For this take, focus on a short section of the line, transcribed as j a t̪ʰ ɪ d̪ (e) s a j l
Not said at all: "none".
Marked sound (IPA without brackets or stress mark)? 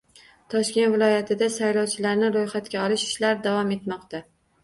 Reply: a